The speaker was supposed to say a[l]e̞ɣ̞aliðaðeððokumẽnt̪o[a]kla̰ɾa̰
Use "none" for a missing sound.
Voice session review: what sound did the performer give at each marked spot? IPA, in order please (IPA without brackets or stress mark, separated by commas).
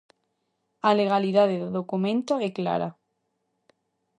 l, e